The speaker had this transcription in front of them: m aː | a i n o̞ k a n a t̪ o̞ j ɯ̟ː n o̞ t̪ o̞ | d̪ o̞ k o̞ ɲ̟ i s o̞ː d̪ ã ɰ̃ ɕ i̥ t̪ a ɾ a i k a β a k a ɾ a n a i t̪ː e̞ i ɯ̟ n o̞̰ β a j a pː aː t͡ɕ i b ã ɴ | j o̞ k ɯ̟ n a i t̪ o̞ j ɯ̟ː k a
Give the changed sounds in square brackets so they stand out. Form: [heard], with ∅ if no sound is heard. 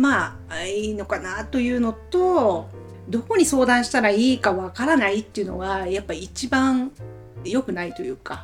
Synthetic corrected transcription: m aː | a i n o̞ k a n a t̪ o̞ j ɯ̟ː n o̞ t̪ o̞ | d̪ o̞ k o̞ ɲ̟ i s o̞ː d̪ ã ɰ̃ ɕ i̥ t̪ a ɾ a [iː] k a β a k a ɾ a n a i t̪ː e̞ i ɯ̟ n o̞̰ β a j a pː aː t͡ɕ i b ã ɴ | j o̞ k ɯ̟ n a i t̪ o̞ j ɯ̟ː k a